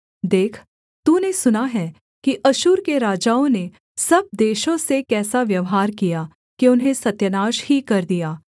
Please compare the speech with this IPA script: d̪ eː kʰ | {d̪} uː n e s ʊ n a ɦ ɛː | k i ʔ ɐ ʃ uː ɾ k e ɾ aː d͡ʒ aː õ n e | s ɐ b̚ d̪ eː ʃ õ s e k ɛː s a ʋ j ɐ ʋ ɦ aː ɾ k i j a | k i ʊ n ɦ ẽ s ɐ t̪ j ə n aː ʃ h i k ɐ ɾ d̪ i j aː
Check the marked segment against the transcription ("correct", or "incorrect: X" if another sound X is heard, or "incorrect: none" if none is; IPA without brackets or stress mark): incorrect: t̪